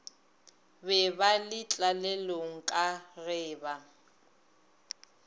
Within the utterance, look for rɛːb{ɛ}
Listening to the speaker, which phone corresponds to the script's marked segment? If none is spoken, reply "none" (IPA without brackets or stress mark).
a